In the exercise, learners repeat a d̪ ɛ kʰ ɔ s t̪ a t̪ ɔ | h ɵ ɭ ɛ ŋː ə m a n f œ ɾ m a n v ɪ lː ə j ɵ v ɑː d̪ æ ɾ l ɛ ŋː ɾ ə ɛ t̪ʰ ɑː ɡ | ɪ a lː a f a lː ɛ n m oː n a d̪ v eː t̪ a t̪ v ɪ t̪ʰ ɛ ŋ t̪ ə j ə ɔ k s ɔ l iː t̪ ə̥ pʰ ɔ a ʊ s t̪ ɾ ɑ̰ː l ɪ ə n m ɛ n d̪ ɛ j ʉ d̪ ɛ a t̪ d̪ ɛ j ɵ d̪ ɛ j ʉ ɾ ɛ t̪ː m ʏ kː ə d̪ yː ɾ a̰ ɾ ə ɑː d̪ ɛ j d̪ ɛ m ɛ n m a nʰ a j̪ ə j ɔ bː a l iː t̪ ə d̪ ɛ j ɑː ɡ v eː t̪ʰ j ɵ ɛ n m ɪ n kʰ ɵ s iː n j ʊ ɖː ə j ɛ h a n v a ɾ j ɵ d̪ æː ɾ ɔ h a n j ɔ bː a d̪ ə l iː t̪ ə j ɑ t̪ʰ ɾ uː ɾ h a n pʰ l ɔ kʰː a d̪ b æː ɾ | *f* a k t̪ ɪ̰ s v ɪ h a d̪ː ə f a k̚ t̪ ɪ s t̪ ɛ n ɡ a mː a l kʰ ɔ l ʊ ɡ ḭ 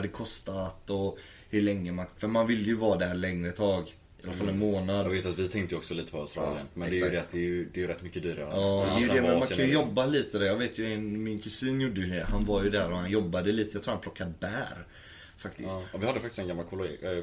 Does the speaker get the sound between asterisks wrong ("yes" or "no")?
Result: no